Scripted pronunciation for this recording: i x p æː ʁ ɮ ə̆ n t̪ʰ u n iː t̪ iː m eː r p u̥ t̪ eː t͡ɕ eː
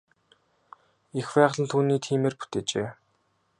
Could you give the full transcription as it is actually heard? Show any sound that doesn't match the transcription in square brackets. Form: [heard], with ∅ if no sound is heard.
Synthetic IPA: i x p æː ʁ ɮ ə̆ n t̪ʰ [uː] n iː [t̪ʰ] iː m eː r p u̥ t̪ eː t͡ɕ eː